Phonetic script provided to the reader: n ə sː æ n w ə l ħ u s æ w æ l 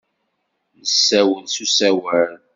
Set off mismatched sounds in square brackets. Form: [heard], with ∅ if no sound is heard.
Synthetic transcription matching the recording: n ə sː æ [∅] w ə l [s] u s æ w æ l